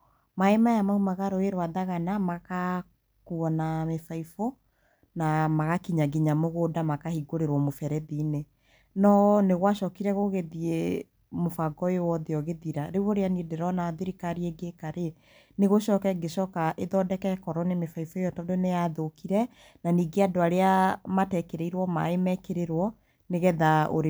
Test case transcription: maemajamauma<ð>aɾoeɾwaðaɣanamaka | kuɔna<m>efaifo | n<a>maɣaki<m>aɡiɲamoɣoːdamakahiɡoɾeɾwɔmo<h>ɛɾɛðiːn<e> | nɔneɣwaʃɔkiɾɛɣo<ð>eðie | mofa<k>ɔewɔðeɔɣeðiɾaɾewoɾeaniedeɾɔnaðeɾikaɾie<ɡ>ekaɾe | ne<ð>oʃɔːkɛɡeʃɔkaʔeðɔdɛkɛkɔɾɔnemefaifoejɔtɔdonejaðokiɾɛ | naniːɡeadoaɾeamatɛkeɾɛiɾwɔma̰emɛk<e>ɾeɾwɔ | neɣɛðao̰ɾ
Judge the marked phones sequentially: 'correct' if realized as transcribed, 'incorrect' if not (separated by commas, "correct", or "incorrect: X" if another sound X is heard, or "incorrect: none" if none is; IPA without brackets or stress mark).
incorrect: ɣ, correct, correct, incorrect: ɲ, incorrect: f, correct, incorrect: ɣ, incorrect: ɡ, correct, incorrect: ɣ, correct